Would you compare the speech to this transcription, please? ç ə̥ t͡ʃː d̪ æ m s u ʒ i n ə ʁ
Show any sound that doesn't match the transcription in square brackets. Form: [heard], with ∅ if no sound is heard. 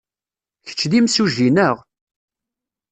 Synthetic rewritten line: ç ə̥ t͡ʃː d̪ [i] m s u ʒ i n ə ʁ